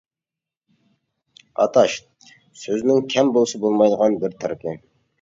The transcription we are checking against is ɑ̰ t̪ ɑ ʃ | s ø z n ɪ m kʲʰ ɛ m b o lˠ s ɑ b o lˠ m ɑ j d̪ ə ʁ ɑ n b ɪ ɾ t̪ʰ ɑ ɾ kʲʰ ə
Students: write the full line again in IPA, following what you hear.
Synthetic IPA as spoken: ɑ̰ t̪ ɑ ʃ | s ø z n ɪ ŋ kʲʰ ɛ m b o lˠ s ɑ b o lˠ m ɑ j d̪ ə ʁ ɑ n b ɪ ɾ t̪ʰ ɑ ɾ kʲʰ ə